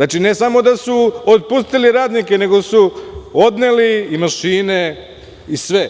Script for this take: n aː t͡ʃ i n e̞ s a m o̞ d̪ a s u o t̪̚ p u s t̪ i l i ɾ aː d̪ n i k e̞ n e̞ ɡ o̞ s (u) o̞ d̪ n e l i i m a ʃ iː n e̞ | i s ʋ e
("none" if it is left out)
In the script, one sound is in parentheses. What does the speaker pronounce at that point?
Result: u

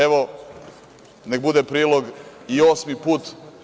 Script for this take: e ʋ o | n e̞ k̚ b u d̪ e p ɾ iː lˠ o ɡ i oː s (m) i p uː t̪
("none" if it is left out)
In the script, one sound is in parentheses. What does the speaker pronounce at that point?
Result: m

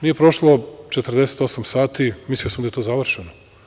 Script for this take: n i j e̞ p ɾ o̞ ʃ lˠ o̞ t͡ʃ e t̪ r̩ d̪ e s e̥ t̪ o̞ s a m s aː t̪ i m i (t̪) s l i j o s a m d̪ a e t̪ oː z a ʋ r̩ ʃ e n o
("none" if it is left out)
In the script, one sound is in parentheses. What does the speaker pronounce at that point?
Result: none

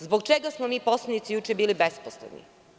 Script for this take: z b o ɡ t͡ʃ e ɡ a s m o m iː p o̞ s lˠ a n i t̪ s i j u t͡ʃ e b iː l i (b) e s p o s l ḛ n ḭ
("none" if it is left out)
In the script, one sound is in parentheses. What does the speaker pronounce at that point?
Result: b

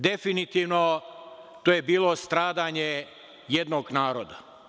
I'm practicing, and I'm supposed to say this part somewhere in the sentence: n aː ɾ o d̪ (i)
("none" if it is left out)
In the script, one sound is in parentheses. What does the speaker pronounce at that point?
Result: a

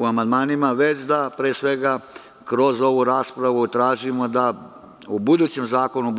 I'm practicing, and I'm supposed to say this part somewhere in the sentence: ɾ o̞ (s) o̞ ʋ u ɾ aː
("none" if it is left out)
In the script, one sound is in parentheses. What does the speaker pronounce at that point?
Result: z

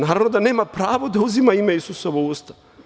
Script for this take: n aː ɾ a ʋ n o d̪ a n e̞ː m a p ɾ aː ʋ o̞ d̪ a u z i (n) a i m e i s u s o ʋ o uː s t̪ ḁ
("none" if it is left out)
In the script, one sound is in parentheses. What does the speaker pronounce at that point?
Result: m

